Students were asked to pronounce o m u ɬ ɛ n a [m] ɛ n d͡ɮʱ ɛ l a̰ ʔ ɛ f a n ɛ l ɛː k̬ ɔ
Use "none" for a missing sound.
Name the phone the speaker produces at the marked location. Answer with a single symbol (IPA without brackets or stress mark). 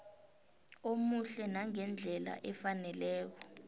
ŋ